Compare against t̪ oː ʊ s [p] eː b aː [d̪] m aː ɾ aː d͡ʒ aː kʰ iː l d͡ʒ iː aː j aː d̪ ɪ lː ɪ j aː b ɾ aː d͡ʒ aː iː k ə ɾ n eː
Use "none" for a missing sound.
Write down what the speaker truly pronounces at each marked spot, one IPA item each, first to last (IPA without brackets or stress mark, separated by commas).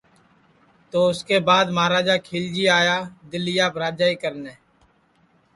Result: k, d̪